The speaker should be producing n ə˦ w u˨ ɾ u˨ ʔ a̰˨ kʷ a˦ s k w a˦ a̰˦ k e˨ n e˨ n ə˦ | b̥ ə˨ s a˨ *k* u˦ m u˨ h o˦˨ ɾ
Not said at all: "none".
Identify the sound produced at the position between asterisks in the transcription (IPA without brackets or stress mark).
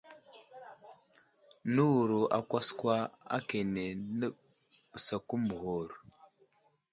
k